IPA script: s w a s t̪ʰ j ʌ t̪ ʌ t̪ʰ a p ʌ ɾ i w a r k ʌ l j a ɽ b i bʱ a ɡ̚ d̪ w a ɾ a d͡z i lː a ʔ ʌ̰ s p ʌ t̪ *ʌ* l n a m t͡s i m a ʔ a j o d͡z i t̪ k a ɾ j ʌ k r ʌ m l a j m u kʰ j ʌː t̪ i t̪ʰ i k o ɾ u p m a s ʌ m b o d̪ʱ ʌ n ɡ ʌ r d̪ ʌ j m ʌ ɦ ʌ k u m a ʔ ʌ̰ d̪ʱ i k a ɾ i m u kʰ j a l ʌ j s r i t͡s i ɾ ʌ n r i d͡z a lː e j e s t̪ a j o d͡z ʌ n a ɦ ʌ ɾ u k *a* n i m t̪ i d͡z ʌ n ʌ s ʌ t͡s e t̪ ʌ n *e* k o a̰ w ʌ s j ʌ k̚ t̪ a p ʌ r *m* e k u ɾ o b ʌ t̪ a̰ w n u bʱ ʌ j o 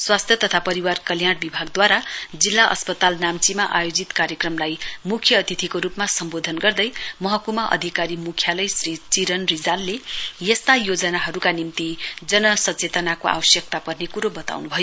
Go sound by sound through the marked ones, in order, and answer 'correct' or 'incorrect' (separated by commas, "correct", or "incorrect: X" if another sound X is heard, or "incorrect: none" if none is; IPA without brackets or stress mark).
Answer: incorrect: a, correct, incorrect: a, incorrect: n